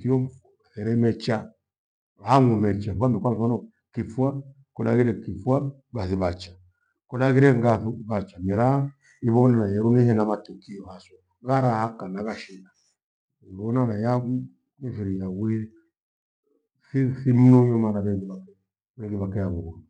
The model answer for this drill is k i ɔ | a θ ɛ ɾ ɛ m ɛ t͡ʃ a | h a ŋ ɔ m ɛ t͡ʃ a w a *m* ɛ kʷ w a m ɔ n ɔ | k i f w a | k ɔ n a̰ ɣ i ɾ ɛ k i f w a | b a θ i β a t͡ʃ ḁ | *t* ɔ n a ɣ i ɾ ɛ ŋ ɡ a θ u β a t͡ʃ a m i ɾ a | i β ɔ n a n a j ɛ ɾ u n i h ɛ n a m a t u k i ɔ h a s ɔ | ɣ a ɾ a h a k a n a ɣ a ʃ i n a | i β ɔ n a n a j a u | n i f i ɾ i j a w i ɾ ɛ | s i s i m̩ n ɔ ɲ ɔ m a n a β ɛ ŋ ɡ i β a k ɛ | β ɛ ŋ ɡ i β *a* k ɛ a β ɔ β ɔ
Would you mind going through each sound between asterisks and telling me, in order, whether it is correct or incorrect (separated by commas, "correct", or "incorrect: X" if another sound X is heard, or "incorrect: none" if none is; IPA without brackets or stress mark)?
correct, incorrect: k, correct